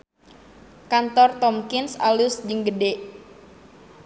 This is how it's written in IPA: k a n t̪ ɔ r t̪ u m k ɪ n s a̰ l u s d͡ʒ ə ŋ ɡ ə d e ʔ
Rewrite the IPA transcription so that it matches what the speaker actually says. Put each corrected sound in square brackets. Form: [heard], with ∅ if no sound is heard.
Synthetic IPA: k a n t̪ ɔ r t̪ [ɔ] m k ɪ n s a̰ l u s d͡ʒ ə ŋ ɡ ə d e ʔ